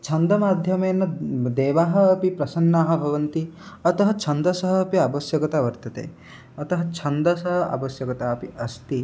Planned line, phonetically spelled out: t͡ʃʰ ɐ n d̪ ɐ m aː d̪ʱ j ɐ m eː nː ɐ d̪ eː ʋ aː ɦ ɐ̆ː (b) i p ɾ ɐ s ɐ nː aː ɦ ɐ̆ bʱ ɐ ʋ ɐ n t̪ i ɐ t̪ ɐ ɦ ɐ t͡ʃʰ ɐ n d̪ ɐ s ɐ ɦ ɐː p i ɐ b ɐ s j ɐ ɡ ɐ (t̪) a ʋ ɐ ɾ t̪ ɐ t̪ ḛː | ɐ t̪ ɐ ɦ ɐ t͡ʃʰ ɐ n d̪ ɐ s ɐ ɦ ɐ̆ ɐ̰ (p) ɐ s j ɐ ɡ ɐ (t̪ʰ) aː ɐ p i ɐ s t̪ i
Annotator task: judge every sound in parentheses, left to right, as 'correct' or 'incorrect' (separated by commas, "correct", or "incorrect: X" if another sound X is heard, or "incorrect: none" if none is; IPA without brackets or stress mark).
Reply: incorrect: p, correct, incorrect: b, incorrect: t̪